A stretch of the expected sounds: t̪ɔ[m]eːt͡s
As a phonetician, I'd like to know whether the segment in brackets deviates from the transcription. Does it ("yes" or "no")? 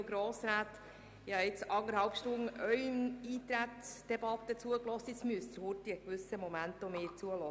no